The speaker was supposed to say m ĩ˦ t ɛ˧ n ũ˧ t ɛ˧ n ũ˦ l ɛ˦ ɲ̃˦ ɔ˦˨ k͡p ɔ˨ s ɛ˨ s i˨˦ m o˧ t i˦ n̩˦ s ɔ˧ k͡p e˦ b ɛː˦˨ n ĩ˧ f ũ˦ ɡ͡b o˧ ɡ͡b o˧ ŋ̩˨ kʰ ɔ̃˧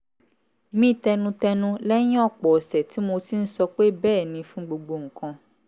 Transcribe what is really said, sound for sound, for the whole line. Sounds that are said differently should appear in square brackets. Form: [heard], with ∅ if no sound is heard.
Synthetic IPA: m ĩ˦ t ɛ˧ n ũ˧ t ɛ˧ n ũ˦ l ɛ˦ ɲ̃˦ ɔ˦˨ k͡p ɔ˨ s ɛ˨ [t] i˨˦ m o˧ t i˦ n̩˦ s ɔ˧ k͡p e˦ b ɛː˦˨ n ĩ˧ f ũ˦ ɡ͡b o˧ ɡ͡b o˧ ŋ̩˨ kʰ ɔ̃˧